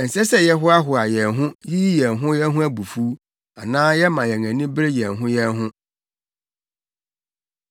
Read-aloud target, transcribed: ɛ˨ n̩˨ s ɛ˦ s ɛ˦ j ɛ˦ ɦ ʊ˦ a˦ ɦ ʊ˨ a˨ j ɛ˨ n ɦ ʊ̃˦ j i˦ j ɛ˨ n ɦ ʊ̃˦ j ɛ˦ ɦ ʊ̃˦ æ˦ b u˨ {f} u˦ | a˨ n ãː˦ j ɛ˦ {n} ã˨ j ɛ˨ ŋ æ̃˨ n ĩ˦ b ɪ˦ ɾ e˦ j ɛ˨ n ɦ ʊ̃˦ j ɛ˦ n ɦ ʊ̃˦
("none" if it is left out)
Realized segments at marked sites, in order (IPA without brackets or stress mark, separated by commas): f, m